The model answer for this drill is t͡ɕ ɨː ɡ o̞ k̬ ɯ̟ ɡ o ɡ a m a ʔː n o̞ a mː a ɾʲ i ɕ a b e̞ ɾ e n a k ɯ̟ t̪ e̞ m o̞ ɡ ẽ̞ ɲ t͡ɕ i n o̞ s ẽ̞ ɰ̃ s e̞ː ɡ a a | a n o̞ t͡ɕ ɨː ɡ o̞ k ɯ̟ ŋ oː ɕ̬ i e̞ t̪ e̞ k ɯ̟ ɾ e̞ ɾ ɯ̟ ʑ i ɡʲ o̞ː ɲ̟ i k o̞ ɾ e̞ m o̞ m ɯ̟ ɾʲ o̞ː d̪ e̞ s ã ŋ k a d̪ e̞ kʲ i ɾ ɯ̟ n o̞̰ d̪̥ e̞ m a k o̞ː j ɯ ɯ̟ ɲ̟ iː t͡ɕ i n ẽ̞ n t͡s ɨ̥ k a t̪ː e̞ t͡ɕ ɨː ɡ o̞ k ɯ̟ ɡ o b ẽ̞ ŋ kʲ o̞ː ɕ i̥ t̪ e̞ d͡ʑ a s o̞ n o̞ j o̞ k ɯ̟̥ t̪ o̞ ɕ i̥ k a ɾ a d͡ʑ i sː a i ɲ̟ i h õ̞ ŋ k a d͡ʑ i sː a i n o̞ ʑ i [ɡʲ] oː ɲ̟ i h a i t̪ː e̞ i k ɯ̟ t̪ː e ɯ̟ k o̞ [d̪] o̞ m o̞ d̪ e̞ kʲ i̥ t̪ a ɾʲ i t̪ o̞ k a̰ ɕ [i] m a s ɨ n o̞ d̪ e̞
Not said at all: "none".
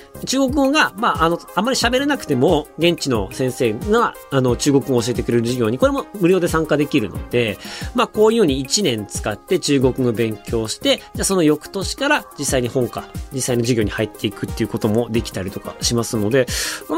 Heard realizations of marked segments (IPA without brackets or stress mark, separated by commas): ɡʲ, t̪, i